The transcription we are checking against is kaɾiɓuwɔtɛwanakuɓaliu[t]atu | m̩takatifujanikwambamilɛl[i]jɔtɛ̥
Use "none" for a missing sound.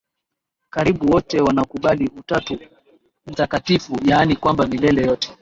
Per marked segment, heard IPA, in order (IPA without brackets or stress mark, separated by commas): t, ɛ